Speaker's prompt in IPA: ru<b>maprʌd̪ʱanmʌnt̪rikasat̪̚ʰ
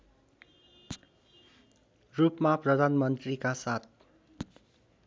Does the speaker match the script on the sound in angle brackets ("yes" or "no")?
no